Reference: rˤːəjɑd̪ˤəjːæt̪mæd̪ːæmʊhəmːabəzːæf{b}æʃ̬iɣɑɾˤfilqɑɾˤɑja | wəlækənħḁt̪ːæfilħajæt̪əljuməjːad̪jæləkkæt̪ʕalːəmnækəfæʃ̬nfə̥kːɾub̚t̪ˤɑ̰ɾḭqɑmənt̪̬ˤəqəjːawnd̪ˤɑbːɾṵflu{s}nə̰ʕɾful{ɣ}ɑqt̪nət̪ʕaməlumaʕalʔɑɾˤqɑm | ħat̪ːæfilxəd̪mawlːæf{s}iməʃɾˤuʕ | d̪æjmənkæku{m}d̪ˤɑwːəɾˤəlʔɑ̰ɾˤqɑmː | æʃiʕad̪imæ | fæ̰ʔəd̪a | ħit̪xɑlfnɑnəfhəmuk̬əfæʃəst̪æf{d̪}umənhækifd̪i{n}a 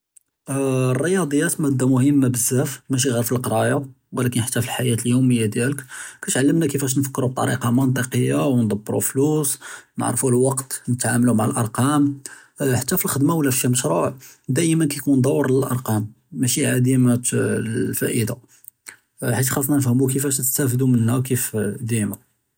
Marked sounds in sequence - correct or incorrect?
incorrect: m, correct, incorrect: w, incorrect: ʃ, incorrect: n, correct, incorrect: m

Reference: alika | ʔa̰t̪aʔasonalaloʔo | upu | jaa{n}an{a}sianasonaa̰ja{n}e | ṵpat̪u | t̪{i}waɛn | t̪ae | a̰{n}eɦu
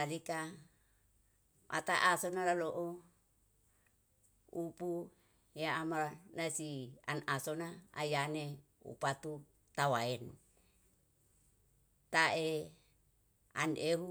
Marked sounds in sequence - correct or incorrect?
incorrect: m, correct, correct, incorrect: a, correct

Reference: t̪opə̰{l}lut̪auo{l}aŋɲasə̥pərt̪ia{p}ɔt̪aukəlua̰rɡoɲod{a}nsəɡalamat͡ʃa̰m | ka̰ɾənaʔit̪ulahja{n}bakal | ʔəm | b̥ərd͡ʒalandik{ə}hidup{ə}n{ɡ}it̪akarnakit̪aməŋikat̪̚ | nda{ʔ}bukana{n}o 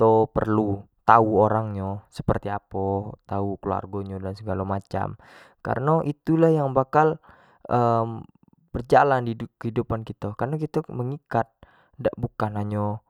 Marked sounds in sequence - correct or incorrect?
incorrect: r, incorrect: ɾ, correct, correct, incorrect: ŋ, correct, incorrect: a, incorrect: k, correct, incorrect: ɲ

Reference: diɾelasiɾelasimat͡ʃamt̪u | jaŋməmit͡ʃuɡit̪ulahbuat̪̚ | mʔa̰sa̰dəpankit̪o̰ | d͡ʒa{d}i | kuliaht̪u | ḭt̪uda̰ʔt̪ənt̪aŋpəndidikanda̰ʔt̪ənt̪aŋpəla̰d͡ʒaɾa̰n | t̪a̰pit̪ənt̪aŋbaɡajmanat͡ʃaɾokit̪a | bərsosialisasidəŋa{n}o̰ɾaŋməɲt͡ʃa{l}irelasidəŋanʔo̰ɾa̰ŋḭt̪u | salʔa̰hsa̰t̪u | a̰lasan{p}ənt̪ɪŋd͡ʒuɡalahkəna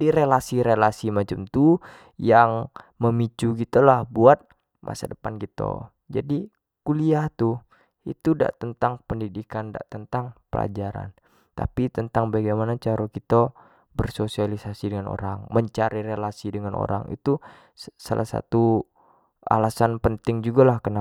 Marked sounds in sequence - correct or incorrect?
correct, correct, incorrect: ɾ, correct

